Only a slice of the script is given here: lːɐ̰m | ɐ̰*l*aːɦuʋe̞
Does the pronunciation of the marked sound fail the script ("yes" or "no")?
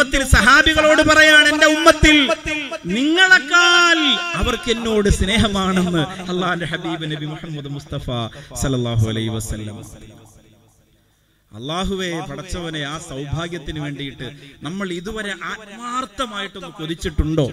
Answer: yes